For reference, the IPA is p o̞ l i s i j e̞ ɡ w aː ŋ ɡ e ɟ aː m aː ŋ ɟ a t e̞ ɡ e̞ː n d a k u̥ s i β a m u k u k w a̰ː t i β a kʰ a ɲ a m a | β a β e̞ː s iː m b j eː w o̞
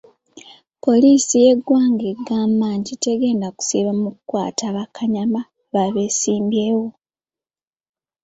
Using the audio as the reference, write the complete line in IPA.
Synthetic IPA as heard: p o̞ l i s i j e̞ ɡ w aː ŋ ɡ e ɡ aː m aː ɲ ɟ i t e̞ ɡ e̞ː n d a k u̥ s i β a m u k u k w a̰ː t a β a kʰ a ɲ a m a | β a β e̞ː s iː m b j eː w o̞